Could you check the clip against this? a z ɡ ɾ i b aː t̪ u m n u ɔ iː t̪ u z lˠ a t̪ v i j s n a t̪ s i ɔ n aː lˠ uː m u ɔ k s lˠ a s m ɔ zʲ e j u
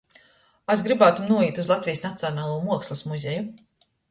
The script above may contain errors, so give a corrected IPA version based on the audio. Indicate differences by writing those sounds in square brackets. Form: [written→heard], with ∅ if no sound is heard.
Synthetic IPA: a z ɡ ɾ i b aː t̪ u m n u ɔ iː t̪ u z lˠ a t̪ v i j s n a t̪ s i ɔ n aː lˠ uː m u ɔ k s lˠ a s m [ɔ→u] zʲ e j u